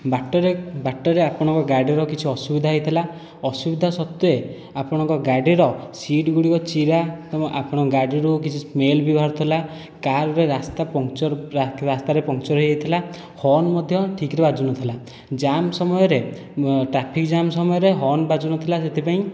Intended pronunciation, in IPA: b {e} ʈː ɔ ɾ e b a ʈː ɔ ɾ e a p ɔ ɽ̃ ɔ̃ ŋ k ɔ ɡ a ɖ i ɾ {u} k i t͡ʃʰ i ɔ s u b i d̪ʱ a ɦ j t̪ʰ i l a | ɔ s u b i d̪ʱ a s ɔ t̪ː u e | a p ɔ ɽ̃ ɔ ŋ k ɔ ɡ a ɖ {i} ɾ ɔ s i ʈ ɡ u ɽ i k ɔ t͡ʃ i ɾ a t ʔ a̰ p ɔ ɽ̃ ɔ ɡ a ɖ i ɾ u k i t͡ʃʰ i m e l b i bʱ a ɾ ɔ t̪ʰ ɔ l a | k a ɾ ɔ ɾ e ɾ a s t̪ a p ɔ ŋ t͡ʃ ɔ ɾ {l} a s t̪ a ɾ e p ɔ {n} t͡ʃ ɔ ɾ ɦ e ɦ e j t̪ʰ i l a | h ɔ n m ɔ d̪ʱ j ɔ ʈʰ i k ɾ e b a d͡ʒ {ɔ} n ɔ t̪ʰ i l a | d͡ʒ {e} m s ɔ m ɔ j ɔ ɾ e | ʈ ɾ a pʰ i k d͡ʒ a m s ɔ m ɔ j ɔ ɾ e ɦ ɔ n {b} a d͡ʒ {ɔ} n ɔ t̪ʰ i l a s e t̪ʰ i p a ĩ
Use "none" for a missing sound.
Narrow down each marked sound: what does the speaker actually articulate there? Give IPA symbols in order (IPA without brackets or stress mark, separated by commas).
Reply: a, ɔ, i, ɾ, ŋ, u, a, b, u